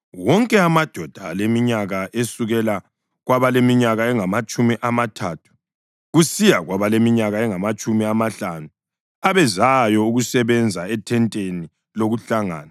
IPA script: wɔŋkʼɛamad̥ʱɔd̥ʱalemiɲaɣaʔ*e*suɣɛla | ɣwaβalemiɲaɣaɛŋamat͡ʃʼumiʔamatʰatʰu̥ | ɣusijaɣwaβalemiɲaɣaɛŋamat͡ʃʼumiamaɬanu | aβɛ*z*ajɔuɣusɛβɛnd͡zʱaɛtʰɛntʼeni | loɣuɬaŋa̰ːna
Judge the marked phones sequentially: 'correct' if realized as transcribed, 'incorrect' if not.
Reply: correct, correct

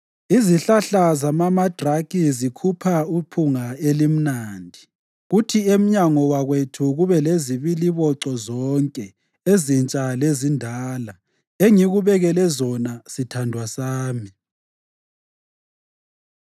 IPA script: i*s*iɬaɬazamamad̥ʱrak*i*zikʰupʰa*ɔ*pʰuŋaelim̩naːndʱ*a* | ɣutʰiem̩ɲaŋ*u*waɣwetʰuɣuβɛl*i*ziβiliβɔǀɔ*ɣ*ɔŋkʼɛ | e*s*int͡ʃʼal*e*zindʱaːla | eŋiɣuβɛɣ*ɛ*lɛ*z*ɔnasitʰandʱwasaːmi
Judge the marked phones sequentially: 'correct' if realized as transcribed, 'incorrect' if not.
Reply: incorrect: z, correct, incorrect: u, incorrect: i, incorrect: ɔ, incorrect: e, incorrect: z, incorrect: z, correct, correct, correct

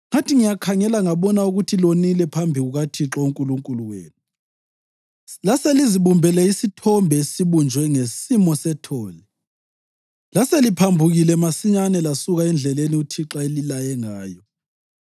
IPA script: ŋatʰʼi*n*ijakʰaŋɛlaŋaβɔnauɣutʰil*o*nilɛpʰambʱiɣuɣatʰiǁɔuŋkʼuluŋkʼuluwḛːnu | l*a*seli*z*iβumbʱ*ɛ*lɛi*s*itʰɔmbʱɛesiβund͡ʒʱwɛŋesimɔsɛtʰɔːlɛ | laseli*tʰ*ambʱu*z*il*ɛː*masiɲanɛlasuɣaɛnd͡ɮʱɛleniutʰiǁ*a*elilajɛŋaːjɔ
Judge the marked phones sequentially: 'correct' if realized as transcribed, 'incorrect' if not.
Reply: incorrect: ŋ, correct, correct, correct, correct, correct, incorrect: pʰ, incorrect: ɣ, incorrect: ɛ, correct

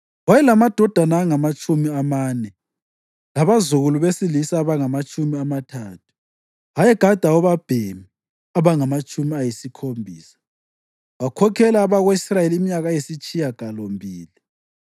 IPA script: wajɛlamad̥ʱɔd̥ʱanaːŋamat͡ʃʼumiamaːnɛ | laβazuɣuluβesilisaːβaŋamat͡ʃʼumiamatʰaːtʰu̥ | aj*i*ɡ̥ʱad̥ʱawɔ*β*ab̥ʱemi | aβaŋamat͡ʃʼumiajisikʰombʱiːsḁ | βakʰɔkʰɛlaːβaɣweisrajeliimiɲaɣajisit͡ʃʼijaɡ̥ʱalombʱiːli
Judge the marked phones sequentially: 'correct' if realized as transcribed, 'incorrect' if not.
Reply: incorrect: ɛ, correct

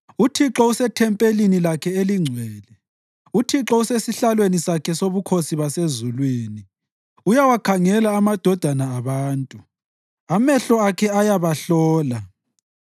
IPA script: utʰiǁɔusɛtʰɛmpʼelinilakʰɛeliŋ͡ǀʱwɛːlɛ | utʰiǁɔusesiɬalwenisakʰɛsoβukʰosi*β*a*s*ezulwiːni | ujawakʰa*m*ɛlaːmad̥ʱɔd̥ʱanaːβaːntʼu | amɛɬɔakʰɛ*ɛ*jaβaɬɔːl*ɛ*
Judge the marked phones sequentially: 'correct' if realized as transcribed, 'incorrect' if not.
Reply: correct, correct, incorrect: ŋ, incorrect: a, incorrect: a

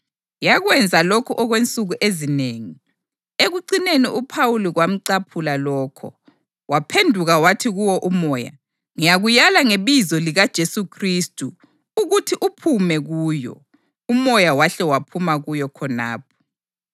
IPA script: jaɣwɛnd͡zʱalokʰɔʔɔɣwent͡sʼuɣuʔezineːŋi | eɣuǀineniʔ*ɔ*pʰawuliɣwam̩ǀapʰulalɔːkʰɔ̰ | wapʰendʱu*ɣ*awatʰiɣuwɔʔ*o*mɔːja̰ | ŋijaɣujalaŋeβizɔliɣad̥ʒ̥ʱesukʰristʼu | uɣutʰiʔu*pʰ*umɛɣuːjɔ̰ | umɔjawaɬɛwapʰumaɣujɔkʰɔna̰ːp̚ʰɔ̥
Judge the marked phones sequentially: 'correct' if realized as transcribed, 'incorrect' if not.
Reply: incorrect: u, correct, incorrect: u, correct

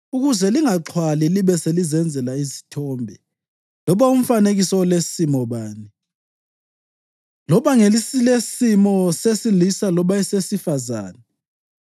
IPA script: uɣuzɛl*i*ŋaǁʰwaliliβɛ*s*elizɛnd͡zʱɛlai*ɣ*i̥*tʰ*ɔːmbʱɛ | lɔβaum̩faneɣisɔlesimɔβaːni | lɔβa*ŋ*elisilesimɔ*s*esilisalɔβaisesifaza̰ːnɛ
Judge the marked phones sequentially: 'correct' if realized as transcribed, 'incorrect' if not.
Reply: correct, correct, incorrect: z, correct, correct, correct

